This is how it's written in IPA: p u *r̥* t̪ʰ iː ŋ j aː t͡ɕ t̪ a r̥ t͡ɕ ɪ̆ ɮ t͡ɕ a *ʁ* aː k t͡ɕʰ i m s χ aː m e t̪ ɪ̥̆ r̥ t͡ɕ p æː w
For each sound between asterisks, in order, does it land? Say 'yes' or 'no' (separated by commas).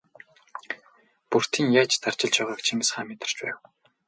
yes, yes